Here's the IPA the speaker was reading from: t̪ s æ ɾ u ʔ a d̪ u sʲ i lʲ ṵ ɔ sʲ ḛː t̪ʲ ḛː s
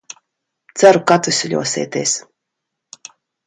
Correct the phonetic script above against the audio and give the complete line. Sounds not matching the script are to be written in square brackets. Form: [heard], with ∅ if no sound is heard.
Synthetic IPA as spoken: t̪ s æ ɾ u [k] a [t̪] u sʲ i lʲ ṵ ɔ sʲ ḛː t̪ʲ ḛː s